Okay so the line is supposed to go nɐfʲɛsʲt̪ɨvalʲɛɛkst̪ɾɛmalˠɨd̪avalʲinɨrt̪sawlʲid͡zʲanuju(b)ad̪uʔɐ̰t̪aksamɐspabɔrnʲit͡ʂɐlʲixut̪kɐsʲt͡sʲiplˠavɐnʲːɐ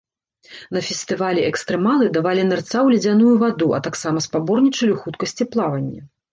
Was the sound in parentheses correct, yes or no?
no